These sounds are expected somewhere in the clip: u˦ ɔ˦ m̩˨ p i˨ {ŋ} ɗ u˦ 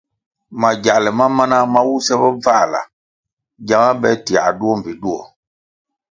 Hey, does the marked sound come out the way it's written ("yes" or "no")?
no